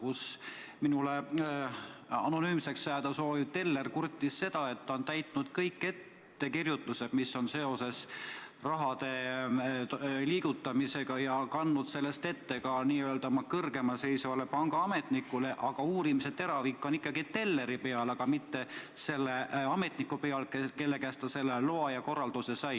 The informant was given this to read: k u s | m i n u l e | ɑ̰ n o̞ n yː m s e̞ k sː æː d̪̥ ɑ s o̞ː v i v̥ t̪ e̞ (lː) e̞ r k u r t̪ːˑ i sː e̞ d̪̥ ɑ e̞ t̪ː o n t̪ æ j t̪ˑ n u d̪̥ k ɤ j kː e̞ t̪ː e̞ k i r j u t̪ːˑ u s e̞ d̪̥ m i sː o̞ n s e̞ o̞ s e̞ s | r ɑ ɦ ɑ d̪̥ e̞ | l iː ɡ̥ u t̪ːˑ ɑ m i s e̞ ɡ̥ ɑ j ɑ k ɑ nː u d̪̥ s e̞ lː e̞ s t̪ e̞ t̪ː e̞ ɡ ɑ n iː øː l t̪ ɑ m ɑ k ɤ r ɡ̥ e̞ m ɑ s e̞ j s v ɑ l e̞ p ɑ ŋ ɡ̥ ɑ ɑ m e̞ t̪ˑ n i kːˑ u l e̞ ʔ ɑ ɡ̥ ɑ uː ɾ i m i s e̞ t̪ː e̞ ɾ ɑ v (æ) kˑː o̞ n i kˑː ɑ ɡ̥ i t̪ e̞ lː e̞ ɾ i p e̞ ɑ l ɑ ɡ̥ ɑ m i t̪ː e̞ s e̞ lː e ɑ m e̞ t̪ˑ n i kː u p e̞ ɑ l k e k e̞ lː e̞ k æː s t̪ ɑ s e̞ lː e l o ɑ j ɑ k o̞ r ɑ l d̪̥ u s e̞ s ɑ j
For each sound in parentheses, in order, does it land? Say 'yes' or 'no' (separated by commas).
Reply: yes, no